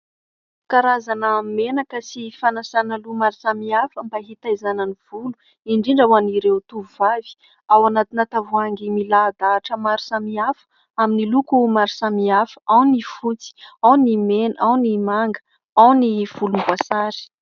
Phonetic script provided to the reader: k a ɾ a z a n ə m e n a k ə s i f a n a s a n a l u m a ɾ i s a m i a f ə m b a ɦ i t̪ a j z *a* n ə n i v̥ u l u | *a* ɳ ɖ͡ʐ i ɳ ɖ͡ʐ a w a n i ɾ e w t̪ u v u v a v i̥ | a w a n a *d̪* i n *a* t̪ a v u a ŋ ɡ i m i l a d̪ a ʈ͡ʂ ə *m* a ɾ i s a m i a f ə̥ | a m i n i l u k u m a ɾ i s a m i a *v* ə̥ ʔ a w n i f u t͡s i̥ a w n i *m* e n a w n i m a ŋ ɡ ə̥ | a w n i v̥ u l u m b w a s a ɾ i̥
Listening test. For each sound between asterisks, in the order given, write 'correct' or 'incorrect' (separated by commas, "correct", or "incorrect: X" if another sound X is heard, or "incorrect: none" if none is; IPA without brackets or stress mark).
correct, incorrect: i, incorrect: t̪, correct, correct, incorrect: f, correct